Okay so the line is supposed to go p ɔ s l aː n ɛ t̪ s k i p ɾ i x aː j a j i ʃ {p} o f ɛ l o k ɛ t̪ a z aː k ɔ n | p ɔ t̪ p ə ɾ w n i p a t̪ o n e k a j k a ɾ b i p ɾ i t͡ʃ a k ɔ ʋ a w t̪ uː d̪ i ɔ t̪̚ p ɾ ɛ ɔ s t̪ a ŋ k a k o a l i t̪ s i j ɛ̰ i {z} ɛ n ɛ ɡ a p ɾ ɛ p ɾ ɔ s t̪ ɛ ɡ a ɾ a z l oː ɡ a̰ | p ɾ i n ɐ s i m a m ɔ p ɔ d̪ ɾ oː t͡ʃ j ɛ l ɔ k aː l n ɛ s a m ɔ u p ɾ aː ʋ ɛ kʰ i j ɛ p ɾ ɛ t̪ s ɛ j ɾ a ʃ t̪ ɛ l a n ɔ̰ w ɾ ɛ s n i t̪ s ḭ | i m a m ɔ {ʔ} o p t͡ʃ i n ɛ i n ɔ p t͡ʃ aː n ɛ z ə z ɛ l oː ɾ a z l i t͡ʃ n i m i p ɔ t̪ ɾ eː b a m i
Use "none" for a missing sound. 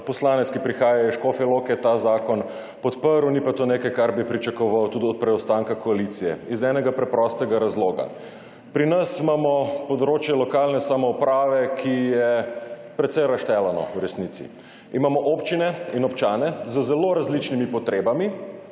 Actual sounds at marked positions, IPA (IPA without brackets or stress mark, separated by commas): k, z, ʔ